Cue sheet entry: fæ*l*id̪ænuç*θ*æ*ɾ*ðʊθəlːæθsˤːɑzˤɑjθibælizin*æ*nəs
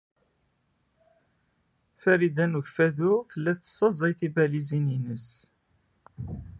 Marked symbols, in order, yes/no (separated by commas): no, no, no, no